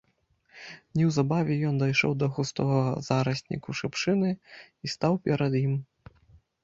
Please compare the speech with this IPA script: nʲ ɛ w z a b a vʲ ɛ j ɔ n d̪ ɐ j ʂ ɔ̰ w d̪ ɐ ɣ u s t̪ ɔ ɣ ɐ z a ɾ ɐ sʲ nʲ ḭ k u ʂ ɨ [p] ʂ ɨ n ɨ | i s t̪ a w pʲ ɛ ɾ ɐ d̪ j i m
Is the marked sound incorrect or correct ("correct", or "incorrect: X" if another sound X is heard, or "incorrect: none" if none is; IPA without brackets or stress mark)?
correct